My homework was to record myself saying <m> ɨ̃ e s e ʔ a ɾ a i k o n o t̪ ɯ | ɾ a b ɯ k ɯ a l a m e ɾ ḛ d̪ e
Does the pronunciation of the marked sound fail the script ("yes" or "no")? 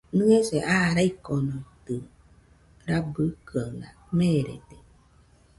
yes